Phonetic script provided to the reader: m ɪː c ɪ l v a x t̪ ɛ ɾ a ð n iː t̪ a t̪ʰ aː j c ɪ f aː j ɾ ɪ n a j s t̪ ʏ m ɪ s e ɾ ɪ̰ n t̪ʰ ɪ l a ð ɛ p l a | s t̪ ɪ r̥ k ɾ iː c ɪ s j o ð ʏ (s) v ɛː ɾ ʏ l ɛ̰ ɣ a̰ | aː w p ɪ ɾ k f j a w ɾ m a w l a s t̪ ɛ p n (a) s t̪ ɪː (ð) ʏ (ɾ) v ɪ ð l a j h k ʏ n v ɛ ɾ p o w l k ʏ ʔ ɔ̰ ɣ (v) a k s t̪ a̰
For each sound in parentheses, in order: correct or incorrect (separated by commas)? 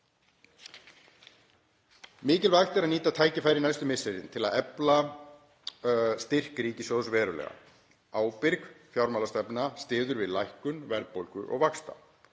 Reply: correct, correct, correct, correct, correct